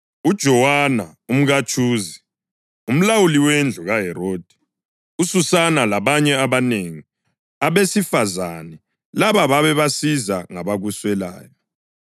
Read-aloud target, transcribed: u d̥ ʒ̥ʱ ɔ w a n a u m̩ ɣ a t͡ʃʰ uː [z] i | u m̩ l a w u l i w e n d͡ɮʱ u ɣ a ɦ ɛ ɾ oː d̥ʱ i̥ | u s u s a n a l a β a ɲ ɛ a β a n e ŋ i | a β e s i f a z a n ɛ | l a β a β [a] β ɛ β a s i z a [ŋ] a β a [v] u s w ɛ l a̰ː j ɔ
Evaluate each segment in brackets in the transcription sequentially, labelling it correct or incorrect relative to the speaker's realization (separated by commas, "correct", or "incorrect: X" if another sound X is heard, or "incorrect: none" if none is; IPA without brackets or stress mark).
correct, correct, correct, incorrect: ɣ